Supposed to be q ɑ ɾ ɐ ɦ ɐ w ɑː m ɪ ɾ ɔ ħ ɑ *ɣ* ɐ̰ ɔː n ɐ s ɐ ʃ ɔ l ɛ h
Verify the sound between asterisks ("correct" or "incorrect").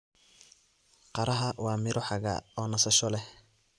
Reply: correct